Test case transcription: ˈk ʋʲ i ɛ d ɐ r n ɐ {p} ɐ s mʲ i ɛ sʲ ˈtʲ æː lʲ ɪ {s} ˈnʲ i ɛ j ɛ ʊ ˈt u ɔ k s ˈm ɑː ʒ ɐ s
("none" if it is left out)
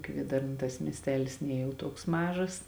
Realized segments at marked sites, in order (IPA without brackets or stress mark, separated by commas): t, s